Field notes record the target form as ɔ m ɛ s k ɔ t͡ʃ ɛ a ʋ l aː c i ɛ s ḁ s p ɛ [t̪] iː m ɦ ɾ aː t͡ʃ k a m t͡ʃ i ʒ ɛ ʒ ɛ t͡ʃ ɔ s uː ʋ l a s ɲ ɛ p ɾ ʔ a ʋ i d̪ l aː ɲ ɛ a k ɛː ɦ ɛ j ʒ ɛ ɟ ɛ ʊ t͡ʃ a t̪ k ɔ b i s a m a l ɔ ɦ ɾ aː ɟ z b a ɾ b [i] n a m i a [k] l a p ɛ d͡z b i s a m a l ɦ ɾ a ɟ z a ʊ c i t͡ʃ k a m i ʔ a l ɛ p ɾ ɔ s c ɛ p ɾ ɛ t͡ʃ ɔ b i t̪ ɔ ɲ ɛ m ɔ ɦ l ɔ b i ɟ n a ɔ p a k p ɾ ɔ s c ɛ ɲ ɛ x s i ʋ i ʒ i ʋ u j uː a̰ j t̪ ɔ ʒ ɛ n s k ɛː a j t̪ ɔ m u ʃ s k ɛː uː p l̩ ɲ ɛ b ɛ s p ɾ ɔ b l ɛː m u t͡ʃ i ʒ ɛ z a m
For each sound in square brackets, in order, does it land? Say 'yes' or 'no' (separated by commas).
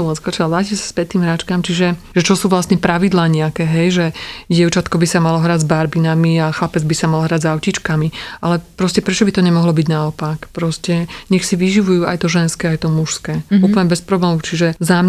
yes, yes, no